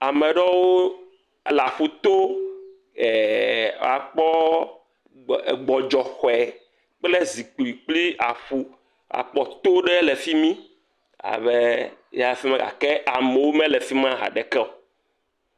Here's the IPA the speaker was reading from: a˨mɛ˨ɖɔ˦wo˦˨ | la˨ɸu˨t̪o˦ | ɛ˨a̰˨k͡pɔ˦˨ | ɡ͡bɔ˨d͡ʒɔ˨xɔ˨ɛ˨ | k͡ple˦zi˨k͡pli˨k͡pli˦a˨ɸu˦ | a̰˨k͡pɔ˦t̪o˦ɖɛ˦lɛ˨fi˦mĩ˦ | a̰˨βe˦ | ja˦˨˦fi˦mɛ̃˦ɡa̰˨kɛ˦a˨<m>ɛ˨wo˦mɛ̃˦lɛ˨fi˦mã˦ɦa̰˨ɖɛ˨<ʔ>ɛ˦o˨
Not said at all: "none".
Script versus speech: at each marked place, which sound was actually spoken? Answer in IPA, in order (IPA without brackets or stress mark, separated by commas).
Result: m, k